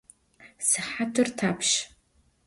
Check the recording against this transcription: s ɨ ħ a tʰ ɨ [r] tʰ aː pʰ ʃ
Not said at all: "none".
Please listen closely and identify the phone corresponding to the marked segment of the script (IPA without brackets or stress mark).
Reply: r